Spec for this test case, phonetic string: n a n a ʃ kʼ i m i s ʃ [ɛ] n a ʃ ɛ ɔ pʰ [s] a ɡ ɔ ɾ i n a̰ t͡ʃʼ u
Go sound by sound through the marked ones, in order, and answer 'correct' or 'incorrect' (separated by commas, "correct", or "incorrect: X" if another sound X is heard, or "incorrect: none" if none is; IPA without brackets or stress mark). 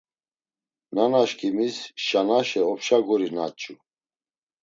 incorrect: a, incorrect: ʃ